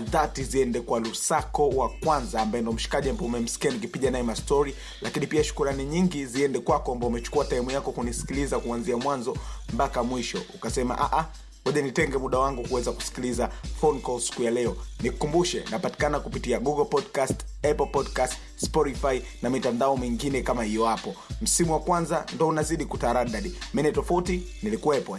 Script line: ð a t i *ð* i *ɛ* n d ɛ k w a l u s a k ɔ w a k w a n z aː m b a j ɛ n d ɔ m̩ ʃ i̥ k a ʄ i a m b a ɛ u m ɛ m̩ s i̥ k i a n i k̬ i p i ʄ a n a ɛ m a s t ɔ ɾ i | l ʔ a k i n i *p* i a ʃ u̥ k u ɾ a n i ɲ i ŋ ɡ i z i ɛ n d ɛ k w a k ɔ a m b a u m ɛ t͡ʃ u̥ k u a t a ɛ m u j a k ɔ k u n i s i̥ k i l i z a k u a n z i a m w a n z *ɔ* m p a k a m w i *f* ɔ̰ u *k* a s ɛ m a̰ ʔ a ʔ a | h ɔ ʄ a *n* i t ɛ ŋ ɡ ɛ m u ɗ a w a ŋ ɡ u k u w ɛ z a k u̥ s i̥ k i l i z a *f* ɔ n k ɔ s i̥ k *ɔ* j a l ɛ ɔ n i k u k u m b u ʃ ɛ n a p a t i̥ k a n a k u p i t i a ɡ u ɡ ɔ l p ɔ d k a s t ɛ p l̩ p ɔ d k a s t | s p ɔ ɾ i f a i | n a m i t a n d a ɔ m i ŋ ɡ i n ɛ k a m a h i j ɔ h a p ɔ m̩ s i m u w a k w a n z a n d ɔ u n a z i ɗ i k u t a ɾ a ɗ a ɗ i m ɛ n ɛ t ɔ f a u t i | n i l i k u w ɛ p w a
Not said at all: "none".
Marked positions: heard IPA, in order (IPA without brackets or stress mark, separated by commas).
z, ɛ, p, ɔ, ʃ, k, n, f, u